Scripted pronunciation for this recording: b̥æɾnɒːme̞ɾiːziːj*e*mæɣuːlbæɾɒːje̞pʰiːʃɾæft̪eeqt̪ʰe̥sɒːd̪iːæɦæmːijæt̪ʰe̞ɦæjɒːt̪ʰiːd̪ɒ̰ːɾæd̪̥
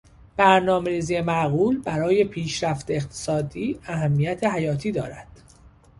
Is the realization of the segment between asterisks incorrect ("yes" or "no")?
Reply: no